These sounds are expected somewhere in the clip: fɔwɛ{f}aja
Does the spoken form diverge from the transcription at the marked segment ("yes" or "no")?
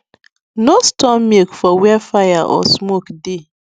no